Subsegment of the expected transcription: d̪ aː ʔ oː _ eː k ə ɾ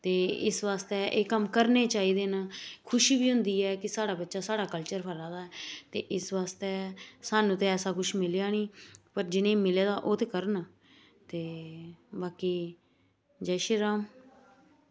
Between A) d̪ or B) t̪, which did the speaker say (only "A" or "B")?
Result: B